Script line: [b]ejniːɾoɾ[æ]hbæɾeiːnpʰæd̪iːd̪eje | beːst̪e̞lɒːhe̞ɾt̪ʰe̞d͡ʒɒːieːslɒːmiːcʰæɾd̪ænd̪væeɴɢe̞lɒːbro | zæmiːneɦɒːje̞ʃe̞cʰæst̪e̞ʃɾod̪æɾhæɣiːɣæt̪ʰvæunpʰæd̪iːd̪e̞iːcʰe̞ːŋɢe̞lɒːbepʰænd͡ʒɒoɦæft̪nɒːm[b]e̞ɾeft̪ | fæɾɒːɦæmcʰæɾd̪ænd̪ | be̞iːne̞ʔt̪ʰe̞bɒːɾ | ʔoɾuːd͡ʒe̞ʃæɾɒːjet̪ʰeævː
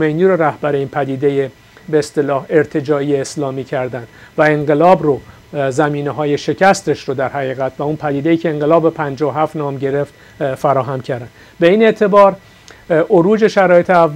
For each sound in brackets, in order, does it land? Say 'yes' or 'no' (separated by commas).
no, yes, no